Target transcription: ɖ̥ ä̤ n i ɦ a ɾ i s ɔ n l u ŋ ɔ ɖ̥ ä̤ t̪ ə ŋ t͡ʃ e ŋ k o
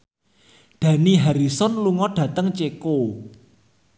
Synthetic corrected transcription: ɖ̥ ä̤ n i ɦ a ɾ i s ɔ n l u ŋ ɔ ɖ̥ ä̤ t̪ ə ŋ t͡ʃ e k o